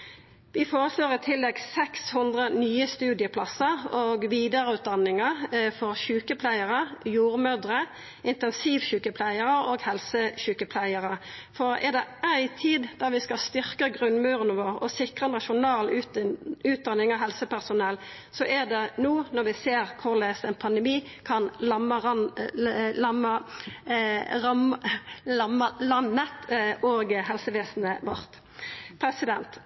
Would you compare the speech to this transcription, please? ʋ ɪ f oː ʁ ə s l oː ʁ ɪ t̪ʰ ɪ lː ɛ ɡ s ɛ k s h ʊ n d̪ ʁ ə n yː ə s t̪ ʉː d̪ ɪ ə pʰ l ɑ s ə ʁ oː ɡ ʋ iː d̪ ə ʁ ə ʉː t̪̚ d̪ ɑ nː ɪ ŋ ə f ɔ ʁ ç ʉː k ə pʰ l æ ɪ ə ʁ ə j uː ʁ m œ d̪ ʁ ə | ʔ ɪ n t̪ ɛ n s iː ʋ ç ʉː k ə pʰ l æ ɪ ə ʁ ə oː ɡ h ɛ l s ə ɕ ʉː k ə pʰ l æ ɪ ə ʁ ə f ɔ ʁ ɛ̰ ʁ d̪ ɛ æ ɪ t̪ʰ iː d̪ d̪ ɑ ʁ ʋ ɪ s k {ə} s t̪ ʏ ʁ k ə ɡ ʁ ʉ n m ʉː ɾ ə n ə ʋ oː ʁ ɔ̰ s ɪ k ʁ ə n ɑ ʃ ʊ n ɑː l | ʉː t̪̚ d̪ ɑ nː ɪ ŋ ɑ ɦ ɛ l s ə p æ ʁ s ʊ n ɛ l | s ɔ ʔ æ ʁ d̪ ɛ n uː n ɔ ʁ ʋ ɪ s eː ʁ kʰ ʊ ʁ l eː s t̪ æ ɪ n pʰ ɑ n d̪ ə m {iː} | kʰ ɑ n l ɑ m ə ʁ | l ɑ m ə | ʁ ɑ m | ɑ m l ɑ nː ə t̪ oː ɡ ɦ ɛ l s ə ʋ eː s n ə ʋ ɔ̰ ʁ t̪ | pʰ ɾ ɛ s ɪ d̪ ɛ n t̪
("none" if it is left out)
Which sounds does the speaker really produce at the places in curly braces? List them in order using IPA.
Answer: ɑ, iː

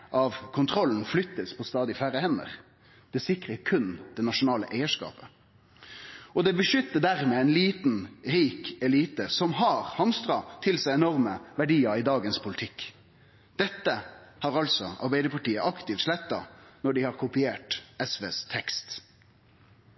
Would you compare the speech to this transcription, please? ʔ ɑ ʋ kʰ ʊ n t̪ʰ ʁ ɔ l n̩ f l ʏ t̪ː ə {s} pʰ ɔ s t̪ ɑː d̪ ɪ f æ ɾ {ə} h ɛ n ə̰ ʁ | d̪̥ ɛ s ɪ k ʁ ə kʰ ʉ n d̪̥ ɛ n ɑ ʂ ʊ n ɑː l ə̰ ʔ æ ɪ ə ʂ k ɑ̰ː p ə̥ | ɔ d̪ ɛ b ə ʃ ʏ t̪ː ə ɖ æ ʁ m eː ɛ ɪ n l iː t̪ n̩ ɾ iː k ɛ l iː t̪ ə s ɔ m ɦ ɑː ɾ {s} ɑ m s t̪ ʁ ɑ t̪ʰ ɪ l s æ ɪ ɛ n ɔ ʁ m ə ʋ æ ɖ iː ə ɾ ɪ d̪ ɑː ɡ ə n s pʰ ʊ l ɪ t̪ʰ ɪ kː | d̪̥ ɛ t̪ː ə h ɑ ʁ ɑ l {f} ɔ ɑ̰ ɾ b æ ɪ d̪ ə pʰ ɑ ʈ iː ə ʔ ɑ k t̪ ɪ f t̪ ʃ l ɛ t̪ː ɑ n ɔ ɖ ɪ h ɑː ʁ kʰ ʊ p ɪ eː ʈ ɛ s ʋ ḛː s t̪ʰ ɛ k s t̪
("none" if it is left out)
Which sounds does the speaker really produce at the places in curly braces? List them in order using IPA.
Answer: s, ə, h, s

